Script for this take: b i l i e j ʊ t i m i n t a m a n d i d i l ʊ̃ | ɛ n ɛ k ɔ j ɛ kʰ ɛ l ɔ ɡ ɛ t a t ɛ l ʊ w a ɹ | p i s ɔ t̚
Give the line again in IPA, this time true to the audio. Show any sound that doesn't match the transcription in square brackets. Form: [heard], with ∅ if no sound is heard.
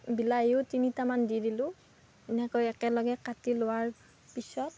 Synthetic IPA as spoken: b i l [a] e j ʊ t i [n] i [∅] t a m a n d i d i l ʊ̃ | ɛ n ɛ k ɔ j ɛ [k] ɛ l ɔ ɡ ɛ [k] a t [i] l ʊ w a ɹ | p i s ɔ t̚